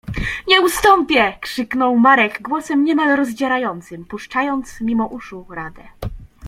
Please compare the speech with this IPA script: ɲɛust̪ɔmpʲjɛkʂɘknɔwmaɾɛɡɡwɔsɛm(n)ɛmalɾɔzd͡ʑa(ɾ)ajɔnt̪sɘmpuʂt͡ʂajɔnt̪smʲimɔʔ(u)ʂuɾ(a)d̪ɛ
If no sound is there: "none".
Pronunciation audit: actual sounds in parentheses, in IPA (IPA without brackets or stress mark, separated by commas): ɲ, ɾ, u, a